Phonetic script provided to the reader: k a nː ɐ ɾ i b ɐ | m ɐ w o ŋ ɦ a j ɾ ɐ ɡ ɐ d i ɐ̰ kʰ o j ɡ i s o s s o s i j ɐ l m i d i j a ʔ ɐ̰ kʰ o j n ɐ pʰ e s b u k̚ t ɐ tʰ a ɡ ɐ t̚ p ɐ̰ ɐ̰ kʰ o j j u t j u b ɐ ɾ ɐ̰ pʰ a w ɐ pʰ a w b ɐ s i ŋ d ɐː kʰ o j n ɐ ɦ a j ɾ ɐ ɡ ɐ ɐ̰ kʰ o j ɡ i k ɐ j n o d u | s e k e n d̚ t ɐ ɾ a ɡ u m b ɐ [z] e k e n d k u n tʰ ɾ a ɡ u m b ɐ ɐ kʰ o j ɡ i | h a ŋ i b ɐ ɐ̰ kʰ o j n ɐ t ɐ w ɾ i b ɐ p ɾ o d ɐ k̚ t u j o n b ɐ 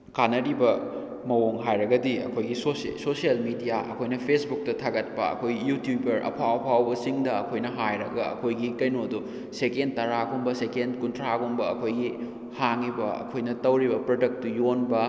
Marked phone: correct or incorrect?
incorrect